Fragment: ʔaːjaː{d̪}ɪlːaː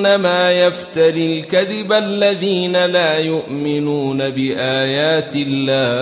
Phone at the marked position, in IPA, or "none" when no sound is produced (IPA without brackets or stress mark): t̪